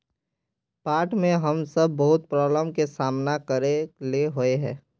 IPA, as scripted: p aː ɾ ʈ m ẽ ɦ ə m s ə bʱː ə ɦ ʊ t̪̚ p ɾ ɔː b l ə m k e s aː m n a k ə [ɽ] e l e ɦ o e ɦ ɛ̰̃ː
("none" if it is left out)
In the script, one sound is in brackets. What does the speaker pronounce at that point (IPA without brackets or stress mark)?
ɾ